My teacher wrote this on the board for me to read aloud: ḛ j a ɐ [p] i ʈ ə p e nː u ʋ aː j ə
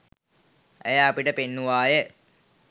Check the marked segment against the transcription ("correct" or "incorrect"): correct